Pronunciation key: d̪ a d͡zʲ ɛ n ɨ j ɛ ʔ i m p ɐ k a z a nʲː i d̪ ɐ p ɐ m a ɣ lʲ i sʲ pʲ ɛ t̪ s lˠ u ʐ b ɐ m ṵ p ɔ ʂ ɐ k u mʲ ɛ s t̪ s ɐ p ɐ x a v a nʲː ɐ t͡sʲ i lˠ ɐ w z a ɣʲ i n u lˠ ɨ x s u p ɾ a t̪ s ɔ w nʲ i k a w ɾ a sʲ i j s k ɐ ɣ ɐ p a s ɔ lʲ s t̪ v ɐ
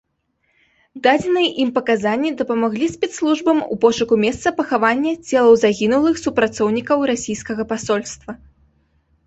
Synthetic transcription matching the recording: d̪ a d͡zʲ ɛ n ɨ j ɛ ʔ i m p ɐ k a z a nʲː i d̪ ɐ p ɐ m a ɣ lʲ i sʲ pʲ ɛ t̪ s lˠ u ʐ b ɐ m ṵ p ɔ ʂ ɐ k u mʲ ɛ s t̪ s ɐ p ɐ x a v a nʲː ɐ t͡sʲ ɛ lˠ ɐ w z a ɣʲ i n u lˠ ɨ x s u p ɾ a t̪ s ɔ w nʲ i k ɐ w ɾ a sʲ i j s k ɐ ɣ ɐ p a s ɔ lʲ s t̪ v ɐ